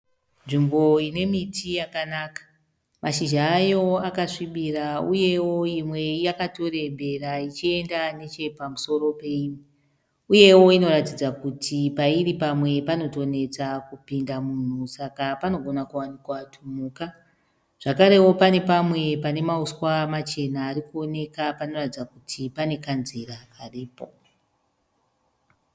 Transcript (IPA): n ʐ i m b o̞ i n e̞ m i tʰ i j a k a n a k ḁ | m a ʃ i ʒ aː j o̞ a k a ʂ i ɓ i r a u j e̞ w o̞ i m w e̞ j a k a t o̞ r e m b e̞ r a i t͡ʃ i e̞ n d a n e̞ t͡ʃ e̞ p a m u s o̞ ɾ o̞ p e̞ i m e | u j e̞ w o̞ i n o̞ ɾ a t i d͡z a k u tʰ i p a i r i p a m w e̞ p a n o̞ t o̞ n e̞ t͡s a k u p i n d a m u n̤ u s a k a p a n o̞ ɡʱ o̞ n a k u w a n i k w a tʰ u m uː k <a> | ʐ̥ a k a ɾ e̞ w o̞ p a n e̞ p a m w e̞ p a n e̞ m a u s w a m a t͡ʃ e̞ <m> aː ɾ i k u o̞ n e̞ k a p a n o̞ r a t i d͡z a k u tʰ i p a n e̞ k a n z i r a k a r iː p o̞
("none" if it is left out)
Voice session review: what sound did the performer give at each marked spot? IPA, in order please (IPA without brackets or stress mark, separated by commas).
a, n